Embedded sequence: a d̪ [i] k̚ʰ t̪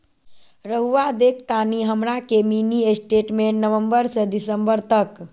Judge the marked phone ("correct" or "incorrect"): incorrect